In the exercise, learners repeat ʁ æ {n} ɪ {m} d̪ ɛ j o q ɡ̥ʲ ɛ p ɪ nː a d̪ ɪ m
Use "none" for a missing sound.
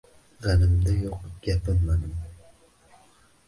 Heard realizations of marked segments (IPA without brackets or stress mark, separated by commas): n, m